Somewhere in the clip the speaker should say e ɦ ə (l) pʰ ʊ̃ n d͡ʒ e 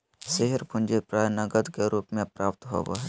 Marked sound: incorrect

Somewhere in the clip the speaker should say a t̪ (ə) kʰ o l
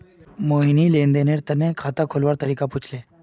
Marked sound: incorrect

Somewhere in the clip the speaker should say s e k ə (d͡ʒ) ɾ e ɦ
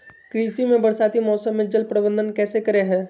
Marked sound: incorrect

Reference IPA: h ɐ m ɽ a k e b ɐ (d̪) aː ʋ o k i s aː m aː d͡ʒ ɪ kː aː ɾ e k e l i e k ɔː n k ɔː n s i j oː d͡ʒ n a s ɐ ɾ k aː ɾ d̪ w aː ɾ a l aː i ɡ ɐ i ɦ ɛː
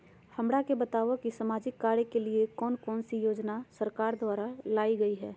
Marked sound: incorrect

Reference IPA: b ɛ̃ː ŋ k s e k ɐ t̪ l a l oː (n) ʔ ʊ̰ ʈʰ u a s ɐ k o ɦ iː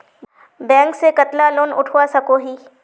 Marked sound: correct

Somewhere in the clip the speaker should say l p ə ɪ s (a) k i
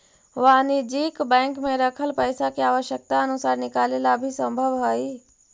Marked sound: correct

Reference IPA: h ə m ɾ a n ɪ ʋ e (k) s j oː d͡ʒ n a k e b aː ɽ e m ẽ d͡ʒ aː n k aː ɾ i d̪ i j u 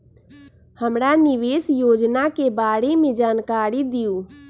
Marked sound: incorrect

